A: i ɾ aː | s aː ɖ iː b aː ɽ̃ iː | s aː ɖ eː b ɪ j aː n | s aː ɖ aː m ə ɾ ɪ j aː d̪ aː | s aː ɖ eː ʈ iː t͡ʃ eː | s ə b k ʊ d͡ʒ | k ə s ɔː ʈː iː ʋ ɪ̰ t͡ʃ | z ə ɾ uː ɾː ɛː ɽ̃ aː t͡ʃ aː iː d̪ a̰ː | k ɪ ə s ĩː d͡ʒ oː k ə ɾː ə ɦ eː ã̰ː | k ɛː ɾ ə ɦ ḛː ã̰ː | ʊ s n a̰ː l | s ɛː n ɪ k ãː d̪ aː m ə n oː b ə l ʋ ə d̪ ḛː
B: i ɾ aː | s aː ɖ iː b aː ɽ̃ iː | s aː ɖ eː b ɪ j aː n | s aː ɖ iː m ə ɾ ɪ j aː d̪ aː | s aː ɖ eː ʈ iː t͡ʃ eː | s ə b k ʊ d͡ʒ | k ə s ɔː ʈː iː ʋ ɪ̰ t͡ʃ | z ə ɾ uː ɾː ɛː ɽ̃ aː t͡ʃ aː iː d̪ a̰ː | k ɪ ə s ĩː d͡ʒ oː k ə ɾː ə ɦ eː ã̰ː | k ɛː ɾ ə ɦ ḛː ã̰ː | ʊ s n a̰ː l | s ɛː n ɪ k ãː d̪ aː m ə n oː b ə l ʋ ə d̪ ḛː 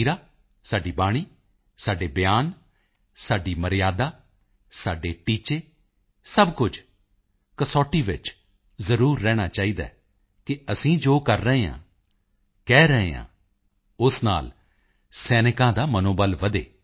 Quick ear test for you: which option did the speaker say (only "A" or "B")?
B